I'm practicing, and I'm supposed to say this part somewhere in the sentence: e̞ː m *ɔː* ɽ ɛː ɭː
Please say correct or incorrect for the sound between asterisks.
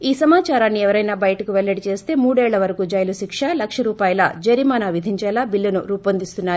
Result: incorrect